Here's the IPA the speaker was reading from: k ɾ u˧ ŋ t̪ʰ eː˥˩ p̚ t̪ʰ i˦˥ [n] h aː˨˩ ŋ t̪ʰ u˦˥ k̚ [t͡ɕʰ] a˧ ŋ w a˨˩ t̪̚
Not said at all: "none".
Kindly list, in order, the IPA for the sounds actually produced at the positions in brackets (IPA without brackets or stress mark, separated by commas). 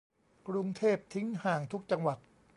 ŋ, t͡ɕ